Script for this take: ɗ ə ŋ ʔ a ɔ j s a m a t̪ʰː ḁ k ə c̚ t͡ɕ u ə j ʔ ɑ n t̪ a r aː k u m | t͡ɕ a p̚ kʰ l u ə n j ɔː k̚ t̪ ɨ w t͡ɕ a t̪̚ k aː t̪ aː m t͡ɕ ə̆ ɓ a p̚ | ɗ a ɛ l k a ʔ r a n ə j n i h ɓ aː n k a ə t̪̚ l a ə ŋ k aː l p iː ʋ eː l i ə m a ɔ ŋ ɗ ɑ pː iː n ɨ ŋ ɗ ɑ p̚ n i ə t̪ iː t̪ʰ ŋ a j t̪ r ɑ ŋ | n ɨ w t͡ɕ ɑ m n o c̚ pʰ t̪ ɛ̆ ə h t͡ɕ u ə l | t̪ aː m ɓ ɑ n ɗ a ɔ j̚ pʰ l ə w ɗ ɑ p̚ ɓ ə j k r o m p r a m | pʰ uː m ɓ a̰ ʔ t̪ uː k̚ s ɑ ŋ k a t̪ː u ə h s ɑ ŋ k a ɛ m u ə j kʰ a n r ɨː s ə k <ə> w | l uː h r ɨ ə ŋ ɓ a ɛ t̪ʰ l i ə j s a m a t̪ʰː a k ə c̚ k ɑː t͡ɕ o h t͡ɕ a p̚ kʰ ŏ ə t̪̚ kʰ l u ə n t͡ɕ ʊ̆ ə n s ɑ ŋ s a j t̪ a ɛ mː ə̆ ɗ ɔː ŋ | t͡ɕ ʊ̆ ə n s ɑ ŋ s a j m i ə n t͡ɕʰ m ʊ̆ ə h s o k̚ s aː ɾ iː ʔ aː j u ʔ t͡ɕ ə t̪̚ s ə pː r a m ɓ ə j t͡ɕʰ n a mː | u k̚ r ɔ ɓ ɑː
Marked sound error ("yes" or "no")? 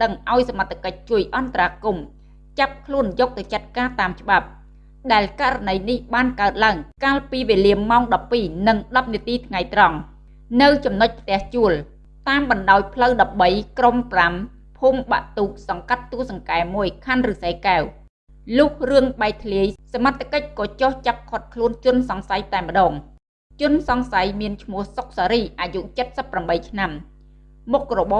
yes